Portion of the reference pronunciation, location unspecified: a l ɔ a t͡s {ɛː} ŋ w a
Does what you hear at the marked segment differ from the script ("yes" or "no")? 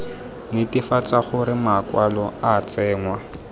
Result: no